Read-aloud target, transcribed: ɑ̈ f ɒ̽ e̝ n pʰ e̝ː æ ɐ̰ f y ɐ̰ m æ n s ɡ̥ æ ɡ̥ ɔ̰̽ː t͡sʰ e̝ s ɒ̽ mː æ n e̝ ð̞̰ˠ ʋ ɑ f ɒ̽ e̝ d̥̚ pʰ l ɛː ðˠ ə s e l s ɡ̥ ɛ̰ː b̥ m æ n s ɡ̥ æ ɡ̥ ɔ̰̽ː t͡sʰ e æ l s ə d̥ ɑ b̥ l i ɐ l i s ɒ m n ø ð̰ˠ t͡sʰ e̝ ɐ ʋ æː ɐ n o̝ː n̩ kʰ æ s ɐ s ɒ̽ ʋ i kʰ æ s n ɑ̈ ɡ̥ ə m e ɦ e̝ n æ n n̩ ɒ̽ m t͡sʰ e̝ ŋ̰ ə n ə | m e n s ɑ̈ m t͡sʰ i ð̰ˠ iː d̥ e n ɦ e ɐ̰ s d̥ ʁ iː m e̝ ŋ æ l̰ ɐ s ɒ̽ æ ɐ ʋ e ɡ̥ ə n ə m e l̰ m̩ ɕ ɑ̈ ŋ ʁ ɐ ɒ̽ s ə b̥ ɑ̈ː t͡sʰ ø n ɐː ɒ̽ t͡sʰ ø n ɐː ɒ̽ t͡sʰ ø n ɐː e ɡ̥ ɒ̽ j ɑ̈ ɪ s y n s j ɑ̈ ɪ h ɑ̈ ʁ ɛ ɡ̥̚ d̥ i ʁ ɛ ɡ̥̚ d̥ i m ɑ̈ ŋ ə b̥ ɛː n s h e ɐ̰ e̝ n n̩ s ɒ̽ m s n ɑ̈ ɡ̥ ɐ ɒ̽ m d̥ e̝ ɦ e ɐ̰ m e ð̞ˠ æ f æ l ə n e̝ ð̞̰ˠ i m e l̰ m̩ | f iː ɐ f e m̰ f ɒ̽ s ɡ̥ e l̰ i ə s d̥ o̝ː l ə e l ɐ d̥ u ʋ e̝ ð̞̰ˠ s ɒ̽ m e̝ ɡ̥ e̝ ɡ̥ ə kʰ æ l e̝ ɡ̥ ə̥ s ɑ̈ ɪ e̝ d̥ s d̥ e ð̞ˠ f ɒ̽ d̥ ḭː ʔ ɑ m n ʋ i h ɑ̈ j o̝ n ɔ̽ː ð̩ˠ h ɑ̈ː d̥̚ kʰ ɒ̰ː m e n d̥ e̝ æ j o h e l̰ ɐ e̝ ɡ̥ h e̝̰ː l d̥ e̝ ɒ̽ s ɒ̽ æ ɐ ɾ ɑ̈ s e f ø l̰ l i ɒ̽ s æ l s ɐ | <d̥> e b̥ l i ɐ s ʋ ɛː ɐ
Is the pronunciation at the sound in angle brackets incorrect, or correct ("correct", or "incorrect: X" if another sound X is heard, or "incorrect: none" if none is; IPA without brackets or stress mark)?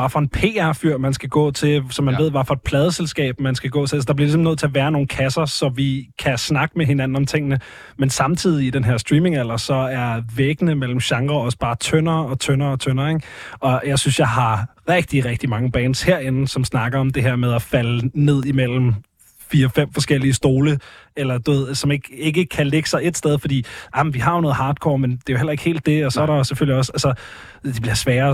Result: correct